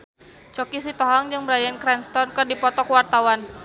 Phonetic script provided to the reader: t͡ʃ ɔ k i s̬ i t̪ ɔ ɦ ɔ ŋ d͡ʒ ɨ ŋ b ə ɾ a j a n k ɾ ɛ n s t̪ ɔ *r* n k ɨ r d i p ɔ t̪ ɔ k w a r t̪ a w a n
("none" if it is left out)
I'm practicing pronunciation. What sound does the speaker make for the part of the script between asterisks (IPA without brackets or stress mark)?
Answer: r